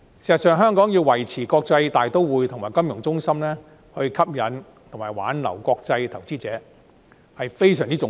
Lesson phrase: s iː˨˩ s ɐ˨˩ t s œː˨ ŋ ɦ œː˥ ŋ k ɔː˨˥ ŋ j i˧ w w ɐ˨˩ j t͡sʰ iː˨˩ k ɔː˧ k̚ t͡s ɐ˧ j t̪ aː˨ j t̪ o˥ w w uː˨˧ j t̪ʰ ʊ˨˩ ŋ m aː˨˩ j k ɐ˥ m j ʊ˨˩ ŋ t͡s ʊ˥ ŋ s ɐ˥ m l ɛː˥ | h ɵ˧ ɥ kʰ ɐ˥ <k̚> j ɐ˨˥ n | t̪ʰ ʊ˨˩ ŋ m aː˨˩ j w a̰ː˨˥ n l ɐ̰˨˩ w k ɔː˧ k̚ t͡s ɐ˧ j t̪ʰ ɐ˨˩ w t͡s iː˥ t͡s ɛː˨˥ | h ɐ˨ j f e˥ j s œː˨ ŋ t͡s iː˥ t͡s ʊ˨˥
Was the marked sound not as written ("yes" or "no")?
yes